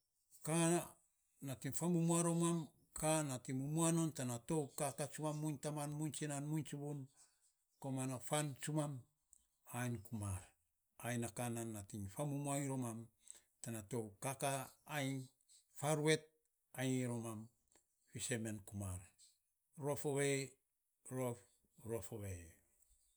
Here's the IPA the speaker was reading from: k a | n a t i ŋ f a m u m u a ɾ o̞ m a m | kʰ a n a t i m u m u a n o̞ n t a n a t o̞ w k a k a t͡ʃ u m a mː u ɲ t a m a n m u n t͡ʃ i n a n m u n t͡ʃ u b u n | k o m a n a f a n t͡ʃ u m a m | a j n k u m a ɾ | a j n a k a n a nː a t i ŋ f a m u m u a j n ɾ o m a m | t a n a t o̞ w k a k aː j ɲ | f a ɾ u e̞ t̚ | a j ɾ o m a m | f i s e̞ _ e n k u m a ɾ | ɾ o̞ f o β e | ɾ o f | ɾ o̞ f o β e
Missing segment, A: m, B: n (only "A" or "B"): A